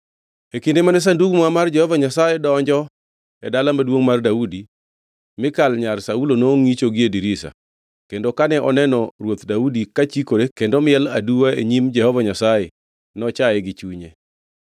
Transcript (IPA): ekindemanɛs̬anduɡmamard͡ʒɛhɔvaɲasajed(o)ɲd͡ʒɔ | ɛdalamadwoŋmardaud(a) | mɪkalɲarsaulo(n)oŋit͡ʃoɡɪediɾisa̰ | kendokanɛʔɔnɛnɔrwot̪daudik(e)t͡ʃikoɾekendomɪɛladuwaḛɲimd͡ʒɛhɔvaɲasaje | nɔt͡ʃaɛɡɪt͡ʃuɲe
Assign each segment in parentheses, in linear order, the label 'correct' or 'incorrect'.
incorrect: ɔ, incorrect: i, correct, incorrect: a

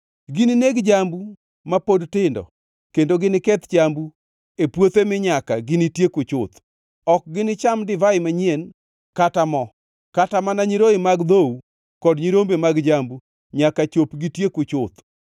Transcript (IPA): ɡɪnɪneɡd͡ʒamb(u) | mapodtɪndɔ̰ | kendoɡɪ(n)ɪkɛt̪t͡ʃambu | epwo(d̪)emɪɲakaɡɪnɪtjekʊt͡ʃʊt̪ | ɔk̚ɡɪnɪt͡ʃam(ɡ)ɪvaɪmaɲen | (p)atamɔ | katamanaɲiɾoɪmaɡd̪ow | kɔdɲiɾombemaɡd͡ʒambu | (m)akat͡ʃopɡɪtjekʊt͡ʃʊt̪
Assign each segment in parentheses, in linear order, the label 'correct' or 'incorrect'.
correct, correct, incorrect: t̪, incorrect: d, incorrect: k, incorrect: ɲ

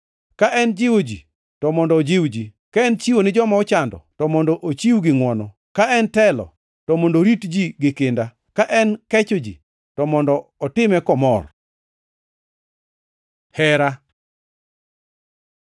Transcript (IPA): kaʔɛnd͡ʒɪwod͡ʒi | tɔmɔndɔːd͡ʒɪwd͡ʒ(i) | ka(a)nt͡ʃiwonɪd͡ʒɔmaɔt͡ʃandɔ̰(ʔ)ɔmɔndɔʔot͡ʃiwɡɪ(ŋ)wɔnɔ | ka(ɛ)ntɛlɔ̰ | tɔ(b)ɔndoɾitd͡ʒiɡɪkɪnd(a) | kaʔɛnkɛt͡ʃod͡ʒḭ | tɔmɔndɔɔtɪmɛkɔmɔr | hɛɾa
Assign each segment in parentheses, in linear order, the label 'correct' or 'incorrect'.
correct, incorrect: ɛ, incorrect: t, correct, correct, incorrect: m, correct

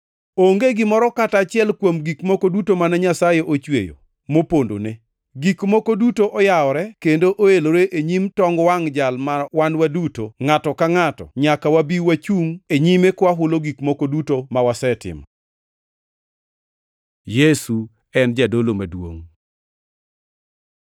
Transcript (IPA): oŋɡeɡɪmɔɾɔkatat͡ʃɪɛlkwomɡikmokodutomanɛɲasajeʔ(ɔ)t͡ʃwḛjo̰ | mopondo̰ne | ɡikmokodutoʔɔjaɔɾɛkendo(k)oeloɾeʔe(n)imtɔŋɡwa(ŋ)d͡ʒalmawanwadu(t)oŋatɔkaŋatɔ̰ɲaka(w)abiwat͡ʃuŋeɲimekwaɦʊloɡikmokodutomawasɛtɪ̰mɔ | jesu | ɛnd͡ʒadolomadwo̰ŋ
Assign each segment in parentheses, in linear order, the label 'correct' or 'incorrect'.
incorrect: o, incorrect: ʔ, incorrect: ɲ, correct, correct, correct

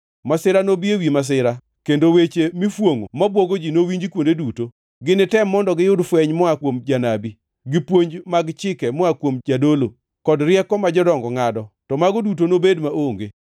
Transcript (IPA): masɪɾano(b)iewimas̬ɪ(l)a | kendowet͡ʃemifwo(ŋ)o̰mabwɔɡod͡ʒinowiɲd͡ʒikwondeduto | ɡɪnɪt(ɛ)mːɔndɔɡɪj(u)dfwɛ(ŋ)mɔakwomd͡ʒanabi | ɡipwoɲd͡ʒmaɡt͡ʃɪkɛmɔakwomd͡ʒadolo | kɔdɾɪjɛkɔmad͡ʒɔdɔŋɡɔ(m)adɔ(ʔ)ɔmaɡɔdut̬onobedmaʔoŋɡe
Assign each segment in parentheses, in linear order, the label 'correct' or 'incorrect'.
correct, incorrect: ɾ, correct, correct, incorrect: ʊ, incorrect: ɲ, incorrect: ŋ, incorrect: t

